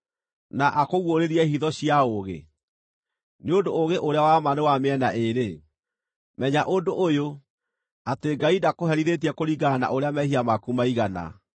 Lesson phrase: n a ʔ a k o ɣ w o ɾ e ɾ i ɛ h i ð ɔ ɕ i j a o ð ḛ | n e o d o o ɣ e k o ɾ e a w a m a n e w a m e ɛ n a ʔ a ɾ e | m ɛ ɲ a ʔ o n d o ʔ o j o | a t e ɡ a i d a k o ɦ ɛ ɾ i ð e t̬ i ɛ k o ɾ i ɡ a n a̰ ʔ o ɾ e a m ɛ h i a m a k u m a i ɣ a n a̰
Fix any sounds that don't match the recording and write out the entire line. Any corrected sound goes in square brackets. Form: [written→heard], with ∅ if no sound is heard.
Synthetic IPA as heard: n a ʔ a k o ɣ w o ɾ e ɾ i ɛ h i ð ɔ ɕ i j a o [ð→ɣ] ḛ | n e o d o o ɣ e [k→ʔ] o ɾ e a w a m a n e w a m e ɛ n a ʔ [a→e] ɾ e | m ɛ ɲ a ʔ o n d o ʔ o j o | a t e ɡ a i d a k o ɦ ɛ ɾ i ð e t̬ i ɛ k o ɾ i ɡ a n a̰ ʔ o ɾ e a m ɛ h i a m a k u m a i ɣ a n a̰